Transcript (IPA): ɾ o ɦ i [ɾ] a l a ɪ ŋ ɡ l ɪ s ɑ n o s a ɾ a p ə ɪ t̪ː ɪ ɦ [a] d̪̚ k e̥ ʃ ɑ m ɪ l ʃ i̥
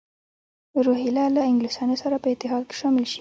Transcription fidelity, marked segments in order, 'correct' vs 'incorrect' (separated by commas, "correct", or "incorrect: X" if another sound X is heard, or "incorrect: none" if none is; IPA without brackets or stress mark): incorrect: l, incorrect: ɑ